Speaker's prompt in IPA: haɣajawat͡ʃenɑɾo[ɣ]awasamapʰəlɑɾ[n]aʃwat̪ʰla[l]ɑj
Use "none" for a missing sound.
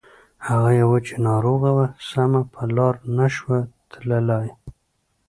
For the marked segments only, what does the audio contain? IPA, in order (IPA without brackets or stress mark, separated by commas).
ɣ, n, l